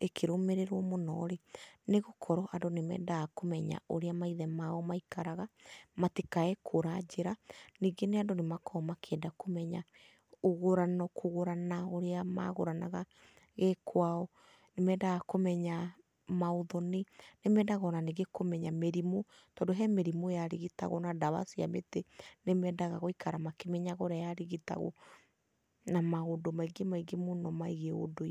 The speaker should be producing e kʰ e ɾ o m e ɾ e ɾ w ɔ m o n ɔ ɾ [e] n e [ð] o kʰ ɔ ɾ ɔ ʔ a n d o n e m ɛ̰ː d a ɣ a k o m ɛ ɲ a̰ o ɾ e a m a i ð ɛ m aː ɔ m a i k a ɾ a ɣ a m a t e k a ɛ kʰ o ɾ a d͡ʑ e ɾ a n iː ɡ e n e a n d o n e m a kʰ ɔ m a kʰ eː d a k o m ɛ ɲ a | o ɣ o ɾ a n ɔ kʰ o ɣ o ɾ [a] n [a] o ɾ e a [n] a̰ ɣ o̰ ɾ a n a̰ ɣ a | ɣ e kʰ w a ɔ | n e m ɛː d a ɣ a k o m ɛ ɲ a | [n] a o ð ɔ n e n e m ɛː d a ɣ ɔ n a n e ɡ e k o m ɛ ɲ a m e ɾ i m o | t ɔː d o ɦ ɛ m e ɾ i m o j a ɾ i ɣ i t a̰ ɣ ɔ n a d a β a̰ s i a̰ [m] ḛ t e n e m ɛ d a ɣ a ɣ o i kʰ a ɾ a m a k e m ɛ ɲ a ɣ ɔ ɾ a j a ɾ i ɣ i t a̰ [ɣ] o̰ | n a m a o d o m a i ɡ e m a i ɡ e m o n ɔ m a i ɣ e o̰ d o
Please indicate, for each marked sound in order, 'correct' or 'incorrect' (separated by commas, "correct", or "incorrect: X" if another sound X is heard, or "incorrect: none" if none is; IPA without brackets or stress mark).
correct, incorrect: ɣ, correct, correct, incorrect: m, incorrect: m, correct, correct